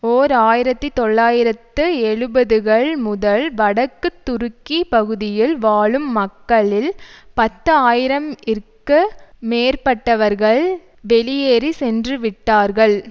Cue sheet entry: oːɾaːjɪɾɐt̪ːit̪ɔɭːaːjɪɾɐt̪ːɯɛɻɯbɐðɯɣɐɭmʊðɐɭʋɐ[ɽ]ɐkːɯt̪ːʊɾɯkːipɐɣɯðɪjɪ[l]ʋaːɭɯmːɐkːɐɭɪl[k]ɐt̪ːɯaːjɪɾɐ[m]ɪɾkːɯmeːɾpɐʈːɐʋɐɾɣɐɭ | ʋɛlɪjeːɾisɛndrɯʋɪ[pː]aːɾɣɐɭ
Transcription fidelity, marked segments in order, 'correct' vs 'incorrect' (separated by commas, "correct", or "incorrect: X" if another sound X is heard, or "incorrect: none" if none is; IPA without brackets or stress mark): correct, correct, incorrect: p, correct, incorrect: ʈː